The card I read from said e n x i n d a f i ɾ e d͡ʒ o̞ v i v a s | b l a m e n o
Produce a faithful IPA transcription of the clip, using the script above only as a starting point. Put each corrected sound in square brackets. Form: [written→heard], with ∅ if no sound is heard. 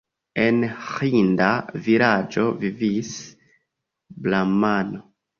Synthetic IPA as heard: e n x i n d a [f→v] i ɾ [e→a] d͡ʒ o̞ v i v [a→i] s | b l a m [e→a] n o